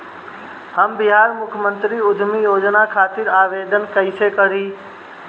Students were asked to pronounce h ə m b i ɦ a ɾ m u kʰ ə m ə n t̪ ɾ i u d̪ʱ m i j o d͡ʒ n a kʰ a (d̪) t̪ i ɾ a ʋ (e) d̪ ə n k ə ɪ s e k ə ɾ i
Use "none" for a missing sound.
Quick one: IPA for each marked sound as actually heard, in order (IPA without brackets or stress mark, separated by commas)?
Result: none, e